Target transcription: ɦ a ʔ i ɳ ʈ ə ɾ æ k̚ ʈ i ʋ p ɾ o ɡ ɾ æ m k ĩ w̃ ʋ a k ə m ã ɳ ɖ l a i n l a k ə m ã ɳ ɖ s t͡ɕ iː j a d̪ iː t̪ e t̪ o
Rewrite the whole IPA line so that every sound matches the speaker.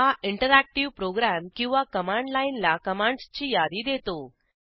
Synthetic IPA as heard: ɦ a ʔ i ɳ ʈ ə ɾ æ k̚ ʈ i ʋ p ɾ o ɡ ɾ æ m k ĩ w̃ ʋ a k ə m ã ɳ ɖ l a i n l a k ə m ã ɳ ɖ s t͡ɕ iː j a d̪ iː d̪ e t̪ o